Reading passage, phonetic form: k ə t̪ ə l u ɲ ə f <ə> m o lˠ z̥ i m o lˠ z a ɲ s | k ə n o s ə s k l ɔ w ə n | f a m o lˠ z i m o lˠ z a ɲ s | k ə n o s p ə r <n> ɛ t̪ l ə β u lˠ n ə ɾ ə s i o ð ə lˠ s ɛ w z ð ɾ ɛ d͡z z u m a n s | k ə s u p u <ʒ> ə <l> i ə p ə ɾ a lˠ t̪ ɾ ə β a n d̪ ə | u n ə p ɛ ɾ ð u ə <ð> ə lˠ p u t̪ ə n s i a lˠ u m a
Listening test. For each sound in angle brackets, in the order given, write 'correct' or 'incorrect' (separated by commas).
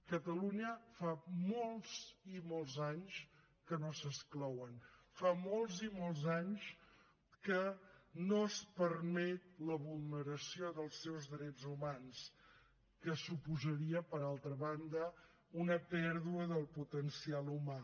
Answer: incorrect, incorrect, incorrect, incorrect, correct